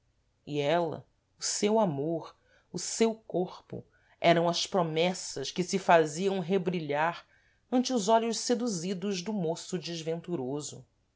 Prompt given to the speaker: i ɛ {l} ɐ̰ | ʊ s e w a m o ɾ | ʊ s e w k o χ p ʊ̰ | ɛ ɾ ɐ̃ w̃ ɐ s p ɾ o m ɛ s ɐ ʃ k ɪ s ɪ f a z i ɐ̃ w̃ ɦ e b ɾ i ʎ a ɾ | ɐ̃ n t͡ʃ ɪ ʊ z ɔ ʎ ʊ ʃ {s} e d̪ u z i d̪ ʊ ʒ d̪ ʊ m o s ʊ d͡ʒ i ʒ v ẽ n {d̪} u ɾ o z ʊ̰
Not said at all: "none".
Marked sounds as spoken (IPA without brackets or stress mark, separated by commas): l, s, t̪